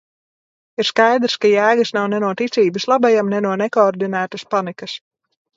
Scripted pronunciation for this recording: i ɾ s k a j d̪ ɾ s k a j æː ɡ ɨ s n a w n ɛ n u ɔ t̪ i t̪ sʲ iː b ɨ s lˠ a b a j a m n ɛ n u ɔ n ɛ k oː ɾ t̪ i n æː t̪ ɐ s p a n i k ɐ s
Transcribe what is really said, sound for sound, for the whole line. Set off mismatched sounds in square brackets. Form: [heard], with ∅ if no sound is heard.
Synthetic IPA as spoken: i ɾ s k a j d̪ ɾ s k a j æː ɡ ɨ s n a w n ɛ n u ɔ t̪ i t̪ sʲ iː b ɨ s lˠ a b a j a m n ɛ n u ɔ n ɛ k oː ɾ [d̪] i n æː t̪ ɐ s p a n i k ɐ s